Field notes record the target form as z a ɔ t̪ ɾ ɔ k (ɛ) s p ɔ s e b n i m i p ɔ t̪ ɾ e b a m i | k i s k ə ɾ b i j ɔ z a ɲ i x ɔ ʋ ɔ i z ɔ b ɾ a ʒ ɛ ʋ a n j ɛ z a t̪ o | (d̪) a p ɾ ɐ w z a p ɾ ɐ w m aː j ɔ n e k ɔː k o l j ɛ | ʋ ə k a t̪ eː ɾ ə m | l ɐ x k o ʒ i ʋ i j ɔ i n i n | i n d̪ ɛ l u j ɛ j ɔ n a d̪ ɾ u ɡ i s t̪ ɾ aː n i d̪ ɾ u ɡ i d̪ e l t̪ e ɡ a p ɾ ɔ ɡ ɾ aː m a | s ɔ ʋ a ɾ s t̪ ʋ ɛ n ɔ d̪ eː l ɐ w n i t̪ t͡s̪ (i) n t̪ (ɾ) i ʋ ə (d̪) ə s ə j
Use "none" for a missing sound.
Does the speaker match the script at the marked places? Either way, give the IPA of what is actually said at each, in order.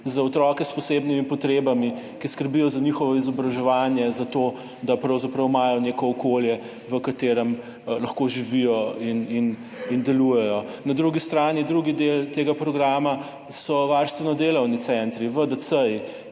ɛ, d̪, ɛ, ɾ, d̪

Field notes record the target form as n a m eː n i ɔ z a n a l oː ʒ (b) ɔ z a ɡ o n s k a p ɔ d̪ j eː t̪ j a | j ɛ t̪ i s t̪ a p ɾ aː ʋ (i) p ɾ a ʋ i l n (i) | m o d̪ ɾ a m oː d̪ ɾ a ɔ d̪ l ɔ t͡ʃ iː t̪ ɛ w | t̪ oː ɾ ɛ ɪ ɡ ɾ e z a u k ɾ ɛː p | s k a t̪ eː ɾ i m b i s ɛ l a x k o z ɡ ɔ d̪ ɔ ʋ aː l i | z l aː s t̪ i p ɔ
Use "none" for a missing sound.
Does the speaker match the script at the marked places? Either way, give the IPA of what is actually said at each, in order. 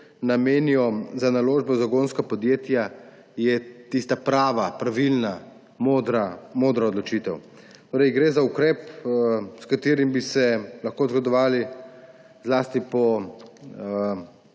b, a, a

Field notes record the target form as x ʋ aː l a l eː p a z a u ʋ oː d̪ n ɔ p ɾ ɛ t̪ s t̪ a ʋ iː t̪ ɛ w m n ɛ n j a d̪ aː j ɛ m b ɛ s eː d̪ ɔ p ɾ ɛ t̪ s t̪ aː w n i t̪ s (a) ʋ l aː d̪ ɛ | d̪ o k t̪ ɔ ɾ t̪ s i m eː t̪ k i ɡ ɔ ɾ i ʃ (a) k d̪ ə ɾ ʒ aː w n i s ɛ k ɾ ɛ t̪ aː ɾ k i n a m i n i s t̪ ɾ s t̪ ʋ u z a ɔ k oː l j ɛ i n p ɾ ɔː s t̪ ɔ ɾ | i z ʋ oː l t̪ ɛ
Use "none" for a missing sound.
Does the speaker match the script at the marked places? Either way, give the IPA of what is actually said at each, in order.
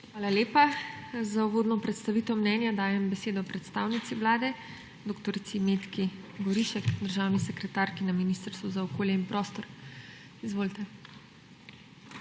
i, ɛ

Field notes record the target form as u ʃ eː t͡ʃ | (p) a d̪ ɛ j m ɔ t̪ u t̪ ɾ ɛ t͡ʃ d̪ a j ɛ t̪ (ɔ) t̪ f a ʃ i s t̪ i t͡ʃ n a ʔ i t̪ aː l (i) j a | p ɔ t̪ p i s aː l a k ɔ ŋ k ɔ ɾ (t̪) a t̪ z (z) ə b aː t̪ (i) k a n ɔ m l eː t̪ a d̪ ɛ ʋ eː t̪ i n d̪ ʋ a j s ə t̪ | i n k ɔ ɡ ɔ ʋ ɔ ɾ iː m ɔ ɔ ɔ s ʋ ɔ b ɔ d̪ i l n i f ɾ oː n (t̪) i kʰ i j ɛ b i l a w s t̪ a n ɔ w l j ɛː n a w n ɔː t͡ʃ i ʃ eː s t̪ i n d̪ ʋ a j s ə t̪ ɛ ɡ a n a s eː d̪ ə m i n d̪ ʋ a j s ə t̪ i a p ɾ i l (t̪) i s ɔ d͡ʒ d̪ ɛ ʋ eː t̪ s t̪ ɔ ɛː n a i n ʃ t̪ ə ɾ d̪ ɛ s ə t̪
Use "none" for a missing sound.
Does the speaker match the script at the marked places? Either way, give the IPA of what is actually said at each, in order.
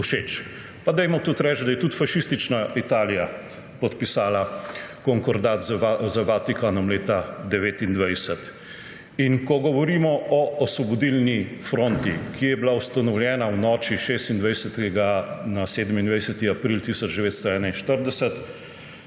p, u, i, d̪, z, i, t̪, t̪

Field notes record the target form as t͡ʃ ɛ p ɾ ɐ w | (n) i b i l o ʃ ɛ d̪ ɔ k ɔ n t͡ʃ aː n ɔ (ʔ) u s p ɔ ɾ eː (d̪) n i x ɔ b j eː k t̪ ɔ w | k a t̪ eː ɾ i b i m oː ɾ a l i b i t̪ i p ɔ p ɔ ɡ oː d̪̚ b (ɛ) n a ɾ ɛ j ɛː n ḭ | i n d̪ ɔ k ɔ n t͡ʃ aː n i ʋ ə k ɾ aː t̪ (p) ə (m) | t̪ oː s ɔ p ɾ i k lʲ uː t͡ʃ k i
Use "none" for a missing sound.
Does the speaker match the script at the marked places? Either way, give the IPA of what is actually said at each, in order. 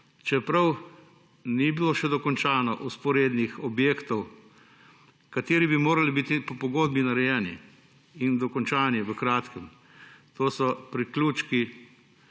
n, ʔ, d̪, i, k, m

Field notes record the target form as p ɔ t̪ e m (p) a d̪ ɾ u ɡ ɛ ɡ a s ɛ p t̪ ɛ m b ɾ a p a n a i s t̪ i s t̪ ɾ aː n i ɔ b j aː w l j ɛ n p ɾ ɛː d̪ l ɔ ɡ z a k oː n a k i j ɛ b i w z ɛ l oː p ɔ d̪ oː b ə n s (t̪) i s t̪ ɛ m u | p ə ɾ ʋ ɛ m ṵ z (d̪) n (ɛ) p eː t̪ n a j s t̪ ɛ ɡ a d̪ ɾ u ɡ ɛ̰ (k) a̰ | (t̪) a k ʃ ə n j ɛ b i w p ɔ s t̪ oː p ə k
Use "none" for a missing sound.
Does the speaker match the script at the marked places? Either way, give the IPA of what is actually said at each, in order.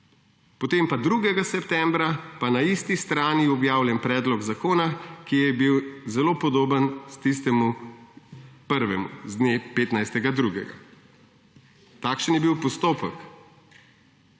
p, t̪, d̪, e, ɡ, t̪

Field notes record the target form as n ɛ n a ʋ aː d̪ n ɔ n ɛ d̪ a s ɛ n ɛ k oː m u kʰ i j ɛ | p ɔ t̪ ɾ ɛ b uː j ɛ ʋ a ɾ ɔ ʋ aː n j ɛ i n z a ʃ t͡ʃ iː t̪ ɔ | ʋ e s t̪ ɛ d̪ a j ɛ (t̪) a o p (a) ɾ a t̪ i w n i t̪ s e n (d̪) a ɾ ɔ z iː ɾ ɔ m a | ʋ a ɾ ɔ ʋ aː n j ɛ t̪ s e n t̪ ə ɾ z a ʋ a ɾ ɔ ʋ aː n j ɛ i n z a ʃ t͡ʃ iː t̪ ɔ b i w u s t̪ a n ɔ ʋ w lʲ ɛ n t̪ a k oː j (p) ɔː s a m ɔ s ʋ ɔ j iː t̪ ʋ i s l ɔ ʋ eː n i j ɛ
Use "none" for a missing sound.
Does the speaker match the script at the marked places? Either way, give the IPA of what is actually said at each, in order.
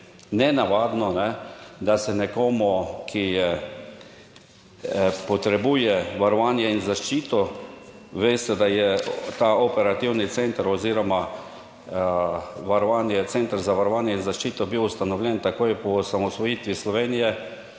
t̪, ɛ, t̪, p

